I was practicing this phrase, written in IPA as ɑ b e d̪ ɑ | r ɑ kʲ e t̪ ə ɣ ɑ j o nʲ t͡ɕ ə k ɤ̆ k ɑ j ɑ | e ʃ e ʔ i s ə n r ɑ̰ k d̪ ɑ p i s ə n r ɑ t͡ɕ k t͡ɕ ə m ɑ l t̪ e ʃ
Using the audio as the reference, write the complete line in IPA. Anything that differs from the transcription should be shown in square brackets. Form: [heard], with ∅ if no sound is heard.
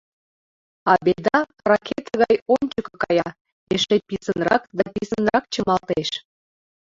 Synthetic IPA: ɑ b e d̪ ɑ | r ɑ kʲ e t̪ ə ɣ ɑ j o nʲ t͡ɕ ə k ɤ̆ k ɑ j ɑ | e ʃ e [p] i s ə n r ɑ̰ k d̪ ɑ p i s ə n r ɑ [∅] k t͡ɕ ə m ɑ l t̪ e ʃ